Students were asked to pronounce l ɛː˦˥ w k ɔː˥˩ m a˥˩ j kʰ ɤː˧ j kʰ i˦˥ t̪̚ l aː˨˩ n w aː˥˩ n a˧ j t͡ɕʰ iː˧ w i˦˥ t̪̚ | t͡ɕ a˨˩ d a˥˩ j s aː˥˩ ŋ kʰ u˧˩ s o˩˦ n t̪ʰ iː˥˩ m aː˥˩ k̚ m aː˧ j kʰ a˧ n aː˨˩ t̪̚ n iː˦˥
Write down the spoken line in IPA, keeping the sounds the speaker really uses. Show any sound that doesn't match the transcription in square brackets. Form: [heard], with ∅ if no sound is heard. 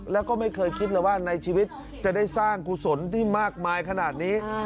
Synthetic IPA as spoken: l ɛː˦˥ w k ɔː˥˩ m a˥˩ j kʰ ɤː˧ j kʰ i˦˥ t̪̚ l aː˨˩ [∅] w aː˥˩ n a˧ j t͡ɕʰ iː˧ w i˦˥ t̪̚ | t͡ɕ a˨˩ d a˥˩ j s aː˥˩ ŋ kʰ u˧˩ s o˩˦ n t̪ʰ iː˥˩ m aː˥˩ k̚ m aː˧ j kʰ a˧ n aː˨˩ t̪̚ n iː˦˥